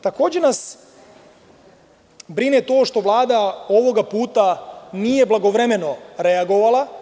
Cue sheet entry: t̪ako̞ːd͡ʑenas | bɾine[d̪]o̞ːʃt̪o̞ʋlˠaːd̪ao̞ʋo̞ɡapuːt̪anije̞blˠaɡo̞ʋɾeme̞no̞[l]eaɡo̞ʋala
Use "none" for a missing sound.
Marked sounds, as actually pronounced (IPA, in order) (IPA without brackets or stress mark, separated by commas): t̪, ɾ